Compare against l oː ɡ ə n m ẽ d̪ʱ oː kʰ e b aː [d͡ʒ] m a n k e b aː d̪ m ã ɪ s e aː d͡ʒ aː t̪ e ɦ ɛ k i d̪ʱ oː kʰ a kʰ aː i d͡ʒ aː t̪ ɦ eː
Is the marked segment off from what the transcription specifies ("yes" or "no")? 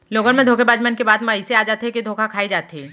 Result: no